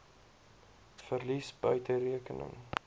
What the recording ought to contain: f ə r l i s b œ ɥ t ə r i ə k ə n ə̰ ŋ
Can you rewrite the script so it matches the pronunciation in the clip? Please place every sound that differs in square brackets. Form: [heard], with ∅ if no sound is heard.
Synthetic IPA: f ə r l i s b œ ɥ t ə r i ə k ə n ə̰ ŋ